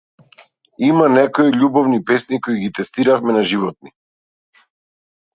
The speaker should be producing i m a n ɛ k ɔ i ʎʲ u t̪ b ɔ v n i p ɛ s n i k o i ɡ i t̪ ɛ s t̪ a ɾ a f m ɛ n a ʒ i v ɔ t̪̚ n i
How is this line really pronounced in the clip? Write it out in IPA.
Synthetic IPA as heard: i m a n ɛ k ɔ i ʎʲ u b ɔ v n i p ɛ s n i k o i ɡ i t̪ ɛ s t̪ i ɾ a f m ɛ n a ʒ i v ɔ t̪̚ n i

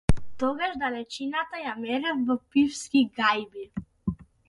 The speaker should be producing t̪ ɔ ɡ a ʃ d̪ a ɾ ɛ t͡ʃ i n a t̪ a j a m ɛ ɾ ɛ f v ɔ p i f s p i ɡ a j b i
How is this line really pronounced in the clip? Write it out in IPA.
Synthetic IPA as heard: t̪ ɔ ɡ a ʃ d̪ a l ɛ t͡ʃ i n a t̪ a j a m ɛ ɾ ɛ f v ɔ p i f s k i ɡ a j b i

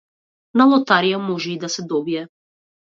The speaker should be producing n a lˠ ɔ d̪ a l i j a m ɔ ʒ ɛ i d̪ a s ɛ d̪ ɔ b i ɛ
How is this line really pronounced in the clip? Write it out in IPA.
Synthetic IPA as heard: n a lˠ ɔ t̪ a ɾ i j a m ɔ ʒ ɛ i d̪ a s ɛ d̪ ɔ b i ɛ

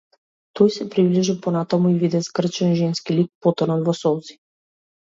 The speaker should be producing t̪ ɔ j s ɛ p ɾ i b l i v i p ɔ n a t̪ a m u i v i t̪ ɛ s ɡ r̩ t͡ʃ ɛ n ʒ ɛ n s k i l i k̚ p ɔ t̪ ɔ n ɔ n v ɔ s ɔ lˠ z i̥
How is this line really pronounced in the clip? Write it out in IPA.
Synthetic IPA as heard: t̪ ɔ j s ɛ p ɾ i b l i ʒ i p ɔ n a t̪ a m u i v i d̪ ɛ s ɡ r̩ t͡ʃ ɛ n ʒ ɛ n s k i l i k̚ p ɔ t̪ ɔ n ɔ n v ɔ s ɔ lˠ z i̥

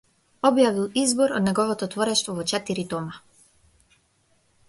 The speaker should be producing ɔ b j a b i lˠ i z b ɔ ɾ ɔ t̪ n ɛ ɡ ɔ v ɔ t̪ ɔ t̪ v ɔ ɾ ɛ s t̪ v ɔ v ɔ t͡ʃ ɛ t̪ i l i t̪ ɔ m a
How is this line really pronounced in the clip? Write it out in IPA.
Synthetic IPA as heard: ɔ b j a v i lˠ i z b ɔ ɾ ɔ d̪ n ɛ ɡ ɔ v ɔ t̪ ɔ t̪ v ɔ ɾ ɛ ʃ t̪ v ɔ v ɔ t͡ʃ ɛ t̪ i ɾ i t̪ ɔ m a

